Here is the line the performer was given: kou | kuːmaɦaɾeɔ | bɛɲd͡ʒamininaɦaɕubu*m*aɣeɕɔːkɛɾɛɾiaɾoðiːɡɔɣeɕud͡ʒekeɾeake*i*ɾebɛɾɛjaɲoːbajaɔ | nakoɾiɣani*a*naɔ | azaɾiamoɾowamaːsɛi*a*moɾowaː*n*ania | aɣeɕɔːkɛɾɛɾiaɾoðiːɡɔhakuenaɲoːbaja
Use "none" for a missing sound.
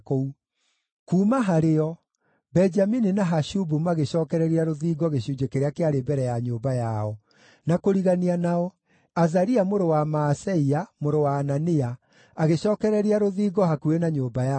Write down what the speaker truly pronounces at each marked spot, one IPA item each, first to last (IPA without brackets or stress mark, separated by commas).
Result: m, a, a, a, n